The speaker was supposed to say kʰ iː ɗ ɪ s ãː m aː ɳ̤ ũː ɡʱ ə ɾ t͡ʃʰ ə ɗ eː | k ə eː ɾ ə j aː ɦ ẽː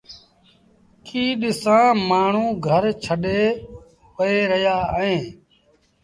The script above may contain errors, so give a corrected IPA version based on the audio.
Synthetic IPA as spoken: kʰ iː ɗ ɪ s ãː m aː ɳ̤ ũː ɡʱ ə ɾ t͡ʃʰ ə ɗ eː | p ə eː ɾ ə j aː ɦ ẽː